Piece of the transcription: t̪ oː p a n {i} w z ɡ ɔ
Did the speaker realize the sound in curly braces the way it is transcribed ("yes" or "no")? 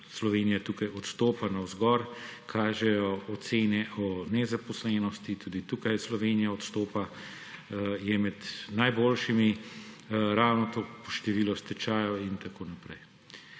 no